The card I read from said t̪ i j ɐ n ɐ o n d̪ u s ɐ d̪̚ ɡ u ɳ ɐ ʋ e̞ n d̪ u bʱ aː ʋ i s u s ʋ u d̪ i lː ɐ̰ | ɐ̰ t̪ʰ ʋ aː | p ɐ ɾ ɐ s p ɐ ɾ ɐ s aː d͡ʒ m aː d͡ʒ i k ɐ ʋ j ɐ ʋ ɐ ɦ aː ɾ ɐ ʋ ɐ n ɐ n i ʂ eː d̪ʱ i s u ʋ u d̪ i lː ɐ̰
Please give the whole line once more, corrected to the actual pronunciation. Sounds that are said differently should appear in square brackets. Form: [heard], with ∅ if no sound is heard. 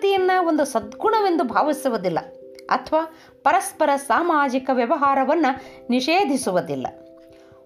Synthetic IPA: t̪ i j ɐ [nː] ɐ o n d̪ u s ɐ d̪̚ ɡ u ɳ ɐ ʋ e̞ n d̪ u bʱ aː ʋ i s u [∅] ʋ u d̪ i lː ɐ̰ | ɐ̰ t̪ʰ ʋ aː | p ɐ ɾ ɐ s p ɐ ɾ ɐ s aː [∅] m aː d͡ʒ i k ɐ ʋ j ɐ ʋ ɐ ɦ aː ɾ ɐ ʋ ɐ [nː] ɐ n i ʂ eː d̪ʱ i s u ʋ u d̪ i lː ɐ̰